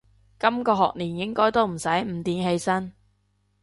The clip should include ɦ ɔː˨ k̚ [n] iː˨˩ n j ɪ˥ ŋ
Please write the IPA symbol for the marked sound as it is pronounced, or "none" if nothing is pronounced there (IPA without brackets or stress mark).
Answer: n